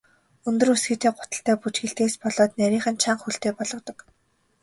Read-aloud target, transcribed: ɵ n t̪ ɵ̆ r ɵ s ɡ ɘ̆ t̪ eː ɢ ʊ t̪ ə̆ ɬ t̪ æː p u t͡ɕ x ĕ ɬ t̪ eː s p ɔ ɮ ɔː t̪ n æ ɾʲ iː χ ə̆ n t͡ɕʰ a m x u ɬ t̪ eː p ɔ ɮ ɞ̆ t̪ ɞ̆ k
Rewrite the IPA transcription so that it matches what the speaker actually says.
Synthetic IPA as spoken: ɵ n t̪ ɵ̆ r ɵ s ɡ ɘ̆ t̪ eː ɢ ʊ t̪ ə̆ ɬ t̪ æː p u t͡ɕ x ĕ ɬ t̪ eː s p ɔ ɮ ɔː t̪ n æ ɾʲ iː χ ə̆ n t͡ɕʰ a ɴ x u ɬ t̪ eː p ɔ ɮ ɞ̆ t̪ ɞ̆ k